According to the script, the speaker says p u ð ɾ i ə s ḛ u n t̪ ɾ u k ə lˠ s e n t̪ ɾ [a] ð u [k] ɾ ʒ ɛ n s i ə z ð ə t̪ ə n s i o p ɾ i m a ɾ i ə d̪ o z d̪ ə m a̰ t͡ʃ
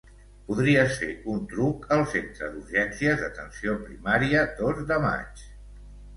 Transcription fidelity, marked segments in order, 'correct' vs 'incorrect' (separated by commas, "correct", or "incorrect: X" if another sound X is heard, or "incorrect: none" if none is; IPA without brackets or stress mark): incorrect: ə, incorrect: none